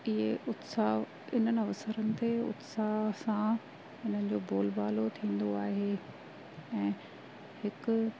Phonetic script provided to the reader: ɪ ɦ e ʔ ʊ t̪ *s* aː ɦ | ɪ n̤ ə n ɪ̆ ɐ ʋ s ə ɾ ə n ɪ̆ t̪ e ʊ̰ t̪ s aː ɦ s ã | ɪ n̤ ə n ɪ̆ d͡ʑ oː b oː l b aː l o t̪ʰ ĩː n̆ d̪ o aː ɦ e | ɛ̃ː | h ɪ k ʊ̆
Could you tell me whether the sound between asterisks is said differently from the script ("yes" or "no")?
no